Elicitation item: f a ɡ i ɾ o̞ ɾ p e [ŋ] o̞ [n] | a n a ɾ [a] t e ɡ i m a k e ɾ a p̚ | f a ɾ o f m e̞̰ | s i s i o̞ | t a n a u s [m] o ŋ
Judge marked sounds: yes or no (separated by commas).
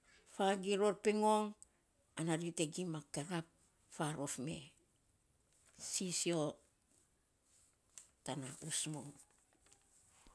yes, no, no, yes